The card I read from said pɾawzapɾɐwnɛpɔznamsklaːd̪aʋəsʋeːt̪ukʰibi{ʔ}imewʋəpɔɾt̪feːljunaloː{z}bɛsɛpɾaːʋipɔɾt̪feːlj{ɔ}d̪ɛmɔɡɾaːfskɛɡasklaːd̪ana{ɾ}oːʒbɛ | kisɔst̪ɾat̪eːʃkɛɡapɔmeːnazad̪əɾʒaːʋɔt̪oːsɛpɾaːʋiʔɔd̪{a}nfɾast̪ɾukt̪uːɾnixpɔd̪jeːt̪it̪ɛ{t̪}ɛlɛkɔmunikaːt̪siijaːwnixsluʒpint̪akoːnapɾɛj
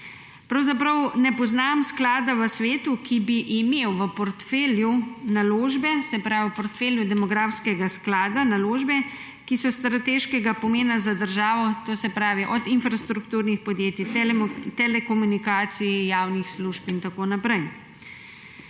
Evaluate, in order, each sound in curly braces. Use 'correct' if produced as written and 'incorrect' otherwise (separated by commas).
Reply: correct, incorrect, incorrect, incorrect, incorrect, correct